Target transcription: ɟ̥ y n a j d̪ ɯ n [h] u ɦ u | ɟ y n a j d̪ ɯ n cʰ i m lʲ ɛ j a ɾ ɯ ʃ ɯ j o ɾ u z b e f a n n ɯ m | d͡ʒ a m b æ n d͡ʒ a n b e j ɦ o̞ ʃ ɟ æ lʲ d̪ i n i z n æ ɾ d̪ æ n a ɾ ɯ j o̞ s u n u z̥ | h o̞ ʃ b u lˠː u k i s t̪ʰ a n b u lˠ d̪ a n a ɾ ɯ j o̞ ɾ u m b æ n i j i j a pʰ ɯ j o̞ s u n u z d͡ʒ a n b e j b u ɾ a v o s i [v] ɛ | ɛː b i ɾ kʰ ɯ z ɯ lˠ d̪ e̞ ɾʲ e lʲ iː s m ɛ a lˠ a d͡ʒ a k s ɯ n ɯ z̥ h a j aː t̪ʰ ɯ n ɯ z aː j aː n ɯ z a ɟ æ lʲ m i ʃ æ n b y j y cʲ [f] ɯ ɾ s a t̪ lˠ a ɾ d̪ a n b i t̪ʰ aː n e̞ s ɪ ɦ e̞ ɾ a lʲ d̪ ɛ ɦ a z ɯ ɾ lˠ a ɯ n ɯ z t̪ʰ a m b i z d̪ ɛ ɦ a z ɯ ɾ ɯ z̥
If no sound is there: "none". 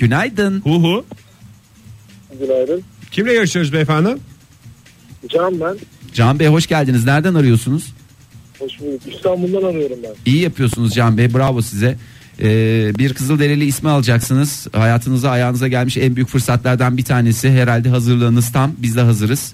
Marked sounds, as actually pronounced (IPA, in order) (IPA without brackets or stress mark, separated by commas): h, z, f